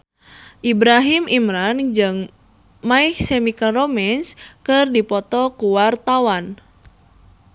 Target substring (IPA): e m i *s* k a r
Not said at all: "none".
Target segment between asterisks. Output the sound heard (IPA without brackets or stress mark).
none